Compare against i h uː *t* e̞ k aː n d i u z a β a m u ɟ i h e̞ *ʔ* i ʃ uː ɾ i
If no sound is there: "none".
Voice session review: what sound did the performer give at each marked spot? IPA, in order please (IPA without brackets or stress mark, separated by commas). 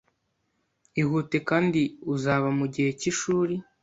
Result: t, c